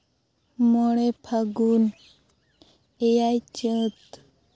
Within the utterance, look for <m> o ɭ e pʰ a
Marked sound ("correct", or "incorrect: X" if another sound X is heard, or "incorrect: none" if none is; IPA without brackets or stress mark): correct